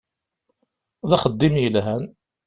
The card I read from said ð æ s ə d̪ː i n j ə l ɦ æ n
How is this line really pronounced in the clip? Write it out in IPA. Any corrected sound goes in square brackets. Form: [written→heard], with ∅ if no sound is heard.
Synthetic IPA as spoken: ð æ [s→χ] ə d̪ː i [n→m] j ə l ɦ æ n